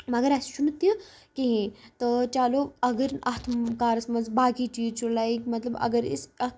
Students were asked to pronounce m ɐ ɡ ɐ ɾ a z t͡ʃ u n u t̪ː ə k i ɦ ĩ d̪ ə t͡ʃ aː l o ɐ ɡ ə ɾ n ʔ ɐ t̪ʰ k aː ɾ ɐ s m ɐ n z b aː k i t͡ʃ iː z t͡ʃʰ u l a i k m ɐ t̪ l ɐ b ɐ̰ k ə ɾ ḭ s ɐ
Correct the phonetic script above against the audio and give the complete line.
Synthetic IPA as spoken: m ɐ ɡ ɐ ɾ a s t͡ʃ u n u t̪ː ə k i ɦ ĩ t̪ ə t͡ʃ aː l o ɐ ɡ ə ɾ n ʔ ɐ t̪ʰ k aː ɾ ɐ s m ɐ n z b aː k i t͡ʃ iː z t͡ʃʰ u l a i k m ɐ t̪ l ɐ b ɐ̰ ɡ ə ɾ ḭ s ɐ